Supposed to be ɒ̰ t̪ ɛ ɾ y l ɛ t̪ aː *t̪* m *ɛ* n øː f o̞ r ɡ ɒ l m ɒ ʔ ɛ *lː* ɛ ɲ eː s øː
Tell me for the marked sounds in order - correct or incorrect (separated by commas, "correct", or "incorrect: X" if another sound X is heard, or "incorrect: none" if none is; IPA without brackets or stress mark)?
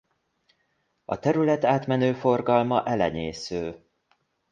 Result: correct, correct, incorrect: l